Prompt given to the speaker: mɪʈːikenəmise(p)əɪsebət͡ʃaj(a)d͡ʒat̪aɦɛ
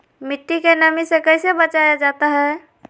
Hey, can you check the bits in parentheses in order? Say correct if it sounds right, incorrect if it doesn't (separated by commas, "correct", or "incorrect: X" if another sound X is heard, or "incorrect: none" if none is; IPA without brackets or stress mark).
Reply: incorrect: k, correct